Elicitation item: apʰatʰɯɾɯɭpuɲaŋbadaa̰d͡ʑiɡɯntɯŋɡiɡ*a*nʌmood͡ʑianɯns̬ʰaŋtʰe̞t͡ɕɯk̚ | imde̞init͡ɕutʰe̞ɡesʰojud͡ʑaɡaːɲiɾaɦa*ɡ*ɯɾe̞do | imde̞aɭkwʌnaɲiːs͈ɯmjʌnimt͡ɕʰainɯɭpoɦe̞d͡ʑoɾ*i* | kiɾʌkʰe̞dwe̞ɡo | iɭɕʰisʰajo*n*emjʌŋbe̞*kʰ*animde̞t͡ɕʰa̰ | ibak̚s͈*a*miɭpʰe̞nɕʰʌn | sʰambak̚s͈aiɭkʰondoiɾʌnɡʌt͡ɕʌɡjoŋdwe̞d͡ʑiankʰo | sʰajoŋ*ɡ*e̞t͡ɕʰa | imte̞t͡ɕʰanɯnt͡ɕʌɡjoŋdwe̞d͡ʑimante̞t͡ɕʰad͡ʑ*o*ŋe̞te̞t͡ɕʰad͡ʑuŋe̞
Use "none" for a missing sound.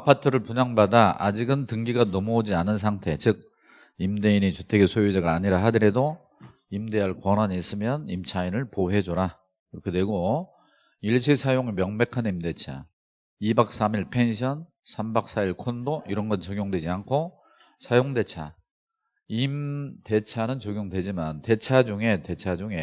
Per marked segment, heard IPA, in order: a, d, a, ŋ, kʰ, a, d, u

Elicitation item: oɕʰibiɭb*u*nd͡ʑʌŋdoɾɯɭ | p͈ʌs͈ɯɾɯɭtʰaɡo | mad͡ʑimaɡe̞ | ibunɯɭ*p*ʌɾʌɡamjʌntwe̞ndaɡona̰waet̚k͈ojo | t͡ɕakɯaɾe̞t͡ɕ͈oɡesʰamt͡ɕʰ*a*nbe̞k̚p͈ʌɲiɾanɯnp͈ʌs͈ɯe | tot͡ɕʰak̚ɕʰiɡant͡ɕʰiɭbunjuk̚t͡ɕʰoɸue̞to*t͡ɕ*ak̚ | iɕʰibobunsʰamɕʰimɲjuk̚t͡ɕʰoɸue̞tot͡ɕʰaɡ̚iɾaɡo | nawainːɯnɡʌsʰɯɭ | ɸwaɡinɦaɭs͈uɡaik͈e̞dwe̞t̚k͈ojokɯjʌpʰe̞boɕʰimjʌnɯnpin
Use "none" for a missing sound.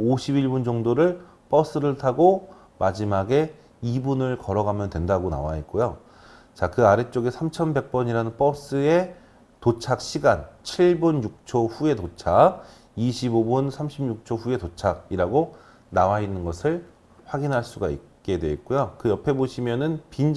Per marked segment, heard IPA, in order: u, k, ʌ, t͡ɕʰ

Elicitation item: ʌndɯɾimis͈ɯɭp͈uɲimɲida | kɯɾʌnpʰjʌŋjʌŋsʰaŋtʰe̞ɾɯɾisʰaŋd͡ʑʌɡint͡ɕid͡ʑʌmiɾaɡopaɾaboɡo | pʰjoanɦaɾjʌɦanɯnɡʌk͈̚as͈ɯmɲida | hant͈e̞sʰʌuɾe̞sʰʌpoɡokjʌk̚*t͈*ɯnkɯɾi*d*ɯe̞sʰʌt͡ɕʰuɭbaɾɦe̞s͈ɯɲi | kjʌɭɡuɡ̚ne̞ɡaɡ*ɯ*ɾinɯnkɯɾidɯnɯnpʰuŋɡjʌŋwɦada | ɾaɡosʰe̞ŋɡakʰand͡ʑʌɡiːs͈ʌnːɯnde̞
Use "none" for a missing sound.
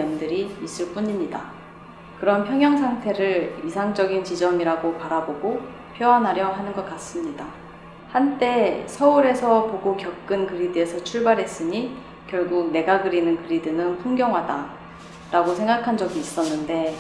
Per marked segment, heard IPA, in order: k͈, d, ɯ

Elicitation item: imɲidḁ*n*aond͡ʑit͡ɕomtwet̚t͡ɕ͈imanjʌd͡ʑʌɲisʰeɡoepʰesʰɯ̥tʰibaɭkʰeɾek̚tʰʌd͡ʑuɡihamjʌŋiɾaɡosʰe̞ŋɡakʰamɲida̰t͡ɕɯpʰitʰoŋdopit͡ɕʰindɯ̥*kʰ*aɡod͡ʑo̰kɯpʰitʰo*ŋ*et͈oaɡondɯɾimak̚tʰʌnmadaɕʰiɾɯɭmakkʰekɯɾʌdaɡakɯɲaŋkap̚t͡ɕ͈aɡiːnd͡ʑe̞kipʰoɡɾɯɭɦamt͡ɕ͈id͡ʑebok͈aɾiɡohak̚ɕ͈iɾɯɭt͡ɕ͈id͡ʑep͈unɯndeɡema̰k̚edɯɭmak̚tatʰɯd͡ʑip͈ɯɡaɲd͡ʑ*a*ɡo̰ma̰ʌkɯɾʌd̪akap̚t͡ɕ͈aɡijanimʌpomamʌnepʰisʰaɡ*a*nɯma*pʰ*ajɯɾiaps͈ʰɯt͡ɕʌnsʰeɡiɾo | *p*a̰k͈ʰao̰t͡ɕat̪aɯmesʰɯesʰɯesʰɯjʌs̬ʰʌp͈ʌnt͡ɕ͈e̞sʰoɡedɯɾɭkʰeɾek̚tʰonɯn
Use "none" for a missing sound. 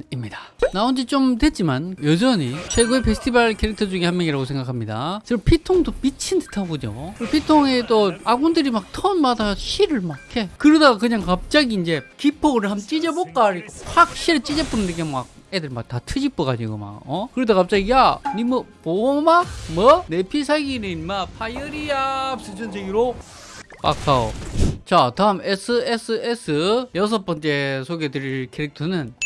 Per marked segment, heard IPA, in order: n, tʰ, ŋ, i, i, pʰ, p

